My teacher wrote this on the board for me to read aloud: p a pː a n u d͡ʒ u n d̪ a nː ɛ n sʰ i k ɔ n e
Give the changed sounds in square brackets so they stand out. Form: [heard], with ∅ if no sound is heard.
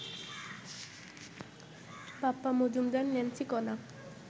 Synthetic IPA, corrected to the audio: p a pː a [m] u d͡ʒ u [m] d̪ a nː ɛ n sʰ i k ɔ n [a]